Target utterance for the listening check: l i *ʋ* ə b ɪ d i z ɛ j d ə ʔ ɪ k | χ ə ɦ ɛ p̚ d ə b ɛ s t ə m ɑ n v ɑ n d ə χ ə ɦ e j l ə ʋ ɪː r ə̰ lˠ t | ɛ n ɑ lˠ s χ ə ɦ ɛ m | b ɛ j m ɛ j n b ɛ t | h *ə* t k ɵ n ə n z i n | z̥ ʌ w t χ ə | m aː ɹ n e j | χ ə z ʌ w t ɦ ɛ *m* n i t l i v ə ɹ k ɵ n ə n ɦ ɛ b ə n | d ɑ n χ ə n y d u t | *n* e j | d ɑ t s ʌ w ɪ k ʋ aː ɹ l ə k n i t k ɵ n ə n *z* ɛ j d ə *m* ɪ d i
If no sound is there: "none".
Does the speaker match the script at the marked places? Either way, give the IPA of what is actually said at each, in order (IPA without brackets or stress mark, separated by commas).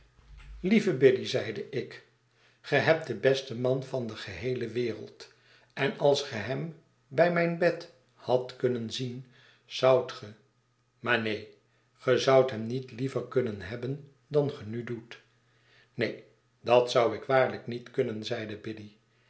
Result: v, ɑ, m, n, z, b